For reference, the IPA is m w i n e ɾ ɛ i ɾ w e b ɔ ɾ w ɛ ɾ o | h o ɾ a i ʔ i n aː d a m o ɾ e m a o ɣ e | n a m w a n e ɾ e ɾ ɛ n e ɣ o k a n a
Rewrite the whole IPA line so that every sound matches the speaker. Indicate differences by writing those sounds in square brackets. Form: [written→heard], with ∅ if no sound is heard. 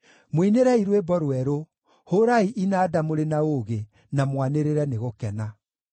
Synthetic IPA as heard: m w i n e ɾ ɛ i ɾ w e b ɔ ɾ w ɛ ɾ o | h o ɾ a i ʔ i n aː d a m o ɾ e [m→n] a o ɣ e | n a m w a n e ɾ e ɾ ɛ n e ɣ o k [a→ɛ] n a